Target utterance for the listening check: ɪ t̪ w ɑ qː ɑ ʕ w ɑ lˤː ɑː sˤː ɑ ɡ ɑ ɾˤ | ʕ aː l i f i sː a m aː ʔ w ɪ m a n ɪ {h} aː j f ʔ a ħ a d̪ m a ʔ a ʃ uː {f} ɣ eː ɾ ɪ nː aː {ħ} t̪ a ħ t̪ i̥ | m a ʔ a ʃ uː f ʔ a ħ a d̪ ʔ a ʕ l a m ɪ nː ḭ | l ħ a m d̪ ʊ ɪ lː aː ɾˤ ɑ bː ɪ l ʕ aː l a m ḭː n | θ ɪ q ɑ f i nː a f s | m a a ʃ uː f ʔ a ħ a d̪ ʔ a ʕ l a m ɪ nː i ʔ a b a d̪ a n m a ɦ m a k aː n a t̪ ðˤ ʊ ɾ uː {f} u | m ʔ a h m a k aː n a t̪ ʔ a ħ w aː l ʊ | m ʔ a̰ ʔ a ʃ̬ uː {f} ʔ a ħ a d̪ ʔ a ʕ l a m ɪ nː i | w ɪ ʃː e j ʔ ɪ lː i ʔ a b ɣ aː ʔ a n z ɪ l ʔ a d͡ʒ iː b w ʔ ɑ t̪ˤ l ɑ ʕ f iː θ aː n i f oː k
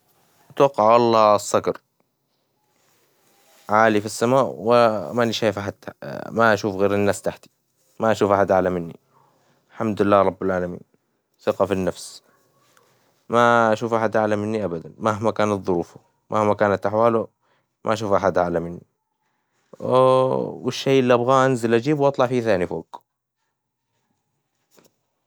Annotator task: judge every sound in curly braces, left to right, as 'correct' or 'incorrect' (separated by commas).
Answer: incorrect, correct, incorrect, correct, correct